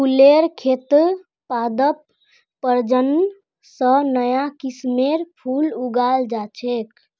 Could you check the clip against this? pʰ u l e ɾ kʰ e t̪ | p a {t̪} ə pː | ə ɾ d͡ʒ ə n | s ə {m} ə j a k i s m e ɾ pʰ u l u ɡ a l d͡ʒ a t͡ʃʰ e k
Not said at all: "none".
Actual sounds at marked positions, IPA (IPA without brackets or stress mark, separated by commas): d̪, n